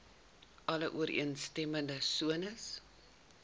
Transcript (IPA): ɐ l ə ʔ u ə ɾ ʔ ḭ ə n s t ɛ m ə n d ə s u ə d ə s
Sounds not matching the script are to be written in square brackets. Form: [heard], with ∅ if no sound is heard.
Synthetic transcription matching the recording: ɐ l ə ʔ u ə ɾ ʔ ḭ ə n s t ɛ m ə n d ə s u ə [n] ə s